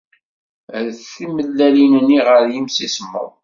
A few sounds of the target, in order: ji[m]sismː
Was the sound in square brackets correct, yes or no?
yes